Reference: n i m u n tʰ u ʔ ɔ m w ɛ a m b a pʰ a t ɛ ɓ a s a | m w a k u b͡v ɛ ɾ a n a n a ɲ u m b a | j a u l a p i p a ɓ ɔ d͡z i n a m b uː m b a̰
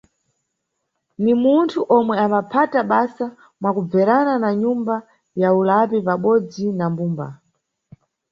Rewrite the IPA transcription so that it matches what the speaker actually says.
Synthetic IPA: n i m u n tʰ u ʔ ɔ m w ɛ a m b a pʰ a t a ɓ a s a | m w a k u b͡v ɛ ɾ a n a n a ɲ u m b a | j a u l a p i p a ɓ ɔ d͡z i n a m b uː m b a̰